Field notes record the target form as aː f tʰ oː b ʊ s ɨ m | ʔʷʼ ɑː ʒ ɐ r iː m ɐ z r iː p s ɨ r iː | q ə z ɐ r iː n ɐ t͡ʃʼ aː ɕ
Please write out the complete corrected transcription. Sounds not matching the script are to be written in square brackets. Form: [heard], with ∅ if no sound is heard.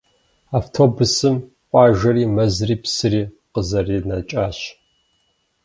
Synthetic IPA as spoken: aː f tʰ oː b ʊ s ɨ m | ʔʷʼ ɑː ʒ ɐ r iː m ɐ z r iː p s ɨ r iː | q ə z ɐ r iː n ɐ t͡ʃʼ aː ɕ